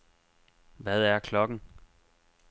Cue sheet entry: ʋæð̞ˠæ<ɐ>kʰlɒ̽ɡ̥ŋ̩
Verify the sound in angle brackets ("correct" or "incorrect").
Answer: correct